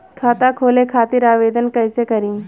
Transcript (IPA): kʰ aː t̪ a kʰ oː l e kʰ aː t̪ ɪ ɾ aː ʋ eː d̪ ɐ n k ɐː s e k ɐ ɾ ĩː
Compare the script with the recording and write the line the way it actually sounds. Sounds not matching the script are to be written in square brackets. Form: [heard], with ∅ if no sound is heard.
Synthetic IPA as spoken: kʰ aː t̪ a kʰ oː l e kʰ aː t̪ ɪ ɾ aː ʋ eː d̪ [ə] n k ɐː s e k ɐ ɾ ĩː

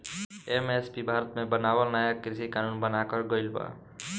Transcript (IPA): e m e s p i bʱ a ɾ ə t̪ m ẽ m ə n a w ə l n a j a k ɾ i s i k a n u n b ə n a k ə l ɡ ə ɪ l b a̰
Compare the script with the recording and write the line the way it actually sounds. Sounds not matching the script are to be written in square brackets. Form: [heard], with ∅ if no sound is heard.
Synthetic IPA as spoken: e m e s p i bʱ a ɾ ə t̪ m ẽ [b] ə n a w ə l n a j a k ɾ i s i k a n u n b ə n a k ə [ɾ] ɡ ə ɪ l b a̰

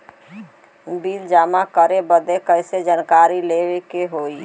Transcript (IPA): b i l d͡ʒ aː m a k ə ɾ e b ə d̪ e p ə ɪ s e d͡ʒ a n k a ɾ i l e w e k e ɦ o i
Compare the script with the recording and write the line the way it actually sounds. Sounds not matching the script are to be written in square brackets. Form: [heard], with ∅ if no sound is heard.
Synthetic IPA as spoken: b i l d͡ʒ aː m a k ə ɾ e b ə d̪ e [k] ə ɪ s e d͡ʒ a n k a ɾ i l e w e k e ɦ o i

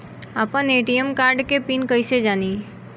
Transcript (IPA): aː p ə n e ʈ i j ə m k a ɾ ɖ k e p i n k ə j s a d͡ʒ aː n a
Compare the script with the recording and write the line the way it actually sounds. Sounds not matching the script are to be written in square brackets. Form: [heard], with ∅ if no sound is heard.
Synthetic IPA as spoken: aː p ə n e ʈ i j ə m k a ɾ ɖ k e p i n k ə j s [e] d͡ʒ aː n [i]

